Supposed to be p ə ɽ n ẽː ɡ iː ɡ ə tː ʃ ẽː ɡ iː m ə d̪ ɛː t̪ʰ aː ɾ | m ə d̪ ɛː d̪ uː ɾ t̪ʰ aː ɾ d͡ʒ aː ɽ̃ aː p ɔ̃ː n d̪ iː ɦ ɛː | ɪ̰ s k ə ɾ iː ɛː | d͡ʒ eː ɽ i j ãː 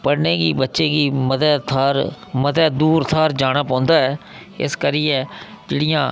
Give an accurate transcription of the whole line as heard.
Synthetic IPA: p ə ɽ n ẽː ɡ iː b ə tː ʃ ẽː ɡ iː m ə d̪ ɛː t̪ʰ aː ɾ | m ə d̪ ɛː d̪ uː ɾ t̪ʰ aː ɾ d͡ʒ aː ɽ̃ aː p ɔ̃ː n d̪ aː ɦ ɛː | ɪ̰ s k ə ɾ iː ɛː | d͡ʒ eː ɽ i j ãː